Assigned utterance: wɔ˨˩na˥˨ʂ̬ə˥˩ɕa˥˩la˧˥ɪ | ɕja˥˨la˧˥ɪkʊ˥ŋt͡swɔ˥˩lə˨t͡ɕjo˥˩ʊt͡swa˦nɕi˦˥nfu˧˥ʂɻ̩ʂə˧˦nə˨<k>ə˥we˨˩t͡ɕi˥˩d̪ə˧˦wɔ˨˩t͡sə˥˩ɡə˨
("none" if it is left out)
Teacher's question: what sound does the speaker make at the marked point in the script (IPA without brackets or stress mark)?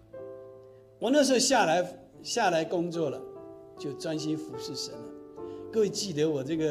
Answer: k